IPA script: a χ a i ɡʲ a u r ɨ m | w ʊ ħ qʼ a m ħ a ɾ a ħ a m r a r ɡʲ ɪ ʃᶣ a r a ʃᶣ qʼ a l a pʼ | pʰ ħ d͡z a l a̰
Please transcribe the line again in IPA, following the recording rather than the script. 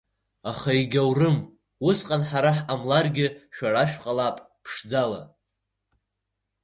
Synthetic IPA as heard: a χ a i ɡʲ a w r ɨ m | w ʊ s qʼ a n ħ a ɾ a ħ a m l a r ɡʲ ɪ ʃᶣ a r a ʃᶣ qʼ a l a pʼ | pʰ ʂ d͡z a l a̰